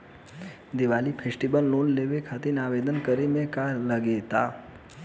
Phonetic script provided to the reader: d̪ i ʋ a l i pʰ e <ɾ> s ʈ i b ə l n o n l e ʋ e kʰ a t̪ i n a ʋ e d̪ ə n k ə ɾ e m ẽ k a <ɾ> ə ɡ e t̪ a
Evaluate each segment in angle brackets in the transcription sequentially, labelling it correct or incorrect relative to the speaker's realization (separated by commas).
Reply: incorrect, incorrect